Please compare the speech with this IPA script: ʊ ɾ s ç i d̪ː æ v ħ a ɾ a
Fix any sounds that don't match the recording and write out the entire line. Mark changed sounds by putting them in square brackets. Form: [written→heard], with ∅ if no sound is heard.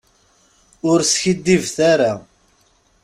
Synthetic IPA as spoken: ʊ ɾ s ç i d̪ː [æ→i] v [ħ→θ] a ɾ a